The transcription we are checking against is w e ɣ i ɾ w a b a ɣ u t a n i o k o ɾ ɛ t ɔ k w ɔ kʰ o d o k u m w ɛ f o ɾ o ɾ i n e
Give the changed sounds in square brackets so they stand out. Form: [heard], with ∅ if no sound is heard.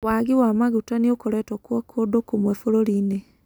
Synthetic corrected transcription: w [a] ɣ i [∅] w a [m] a ɣ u t a n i o k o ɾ ɛ t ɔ k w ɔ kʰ o d o k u m w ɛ f o ɾ o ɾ i n e